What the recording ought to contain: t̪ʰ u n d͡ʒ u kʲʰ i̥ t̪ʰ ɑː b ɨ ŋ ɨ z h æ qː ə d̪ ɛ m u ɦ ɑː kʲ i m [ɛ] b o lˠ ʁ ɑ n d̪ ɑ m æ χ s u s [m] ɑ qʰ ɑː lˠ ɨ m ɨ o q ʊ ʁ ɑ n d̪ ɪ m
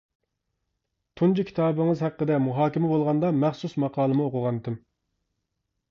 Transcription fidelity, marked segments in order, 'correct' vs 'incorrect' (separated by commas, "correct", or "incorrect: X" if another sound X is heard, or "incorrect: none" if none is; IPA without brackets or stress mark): correct, correct